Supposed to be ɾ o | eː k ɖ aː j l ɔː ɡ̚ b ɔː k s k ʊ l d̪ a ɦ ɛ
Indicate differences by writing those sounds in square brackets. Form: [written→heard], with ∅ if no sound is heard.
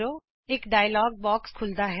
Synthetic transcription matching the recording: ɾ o | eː k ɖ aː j l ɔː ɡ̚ b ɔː k s [k→kʰ] ʊ l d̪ a ɦ ɛ